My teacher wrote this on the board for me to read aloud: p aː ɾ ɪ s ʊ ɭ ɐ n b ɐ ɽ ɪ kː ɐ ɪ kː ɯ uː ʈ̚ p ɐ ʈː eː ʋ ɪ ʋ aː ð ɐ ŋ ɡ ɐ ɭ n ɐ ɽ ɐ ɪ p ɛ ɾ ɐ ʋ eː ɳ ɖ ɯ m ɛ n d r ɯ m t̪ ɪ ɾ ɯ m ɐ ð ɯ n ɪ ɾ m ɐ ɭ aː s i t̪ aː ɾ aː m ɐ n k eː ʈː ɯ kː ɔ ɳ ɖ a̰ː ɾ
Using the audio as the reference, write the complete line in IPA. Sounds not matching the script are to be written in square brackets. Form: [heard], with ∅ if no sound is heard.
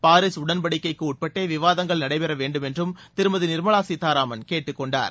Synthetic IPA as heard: p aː ɾ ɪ s ʊ [ɽ] ɐ n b ɐ ɽ ɪ kː ɐ ɪ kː ɯ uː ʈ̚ p ɐ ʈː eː ʋ ɪ ʋ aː ð ɐ ŋ ɡ ɐ ɭ n ɐ ɽ ɐ ɪ p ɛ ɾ ɐ ʋ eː ɳ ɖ ɯ m ɛ n d r ɯ m t̪ ɪ ɾ ɯ m ɐ ð ɯ n ɪ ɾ m ɐ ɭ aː s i t̪ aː ɾ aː m ɐ n k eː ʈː ɯ kː ɔ ɳ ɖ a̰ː ɾ

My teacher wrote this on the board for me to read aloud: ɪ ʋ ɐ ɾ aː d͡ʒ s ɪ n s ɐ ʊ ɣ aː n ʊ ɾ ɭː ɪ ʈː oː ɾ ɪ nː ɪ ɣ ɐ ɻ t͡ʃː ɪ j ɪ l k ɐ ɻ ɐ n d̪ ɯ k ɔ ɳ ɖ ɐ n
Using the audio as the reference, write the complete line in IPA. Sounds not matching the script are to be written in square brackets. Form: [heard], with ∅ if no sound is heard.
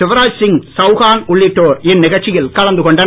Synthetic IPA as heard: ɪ ʋ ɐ ɾ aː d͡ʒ s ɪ [ŋ] s ɐ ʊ ɣ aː n ʊ [∅] ɭː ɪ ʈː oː ɾ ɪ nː ɪ ɣ ɐ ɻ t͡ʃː ɪ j ɪ l k ɐ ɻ ɐ n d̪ ɯ k ɔ ɳ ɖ ɐ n

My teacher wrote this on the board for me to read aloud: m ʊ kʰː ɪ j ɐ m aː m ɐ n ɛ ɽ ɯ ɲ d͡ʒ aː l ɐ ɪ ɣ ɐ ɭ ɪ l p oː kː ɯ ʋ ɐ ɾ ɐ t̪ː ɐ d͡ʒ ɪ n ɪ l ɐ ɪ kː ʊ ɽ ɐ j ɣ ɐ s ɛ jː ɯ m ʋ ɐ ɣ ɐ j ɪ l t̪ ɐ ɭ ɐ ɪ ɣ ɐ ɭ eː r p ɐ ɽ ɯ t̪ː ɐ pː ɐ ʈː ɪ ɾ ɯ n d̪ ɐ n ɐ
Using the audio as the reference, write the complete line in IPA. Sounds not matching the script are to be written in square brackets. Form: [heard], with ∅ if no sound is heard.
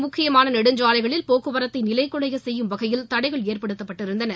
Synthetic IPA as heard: m ʊ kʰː ɪ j ɐ m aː [n] ɐ n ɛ ɽ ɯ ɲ d͡ʒ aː l ɐ ɪ ɣ ɐ ɭ ɪ l p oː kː ɯ ʋ ɐ ɾ ɐ t̪ː ɐ [∅] ɪ n ɪ l ɐ ɪ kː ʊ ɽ ɐ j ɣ ɐ s ɛ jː ɯ m ʋ ɐ ɣ ɐ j ɪ l t̪ ɐ [ɽ] ɐ ɪ ɣ ɐ ɭ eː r p ɐ ɽ ɯ t̪ː ɐ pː ɐ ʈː ɪ ɾ ɯ n d̪ ɐ n ɐ

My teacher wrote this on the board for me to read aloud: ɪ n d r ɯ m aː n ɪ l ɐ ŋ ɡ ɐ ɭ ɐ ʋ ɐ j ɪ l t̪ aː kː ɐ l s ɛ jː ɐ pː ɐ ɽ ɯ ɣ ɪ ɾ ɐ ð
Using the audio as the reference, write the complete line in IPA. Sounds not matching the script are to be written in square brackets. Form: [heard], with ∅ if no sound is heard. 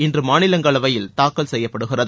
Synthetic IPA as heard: ɪ n d r ɯ m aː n ɪ l ɐ ŋ ɡ ɐ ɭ ɐ ʋ ɐ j ɪ l t̪ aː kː ɐ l s ɛ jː ɐ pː ɐ ɽ ɯ ɣ ɪ [r] ɐ ð

